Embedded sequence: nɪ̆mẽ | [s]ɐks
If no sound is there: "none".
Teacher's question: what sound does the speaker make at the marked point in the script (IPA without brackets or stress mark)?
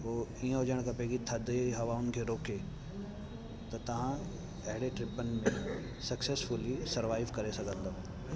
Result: s